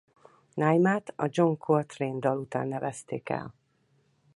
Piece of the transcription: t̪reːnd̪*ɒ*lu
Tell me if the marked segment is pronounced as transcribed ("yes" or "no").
yes